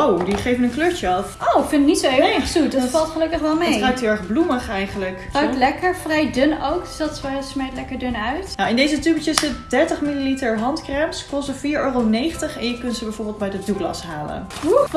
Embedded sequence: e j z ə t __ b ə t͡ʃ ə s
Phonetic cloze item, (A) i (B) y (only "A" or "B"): B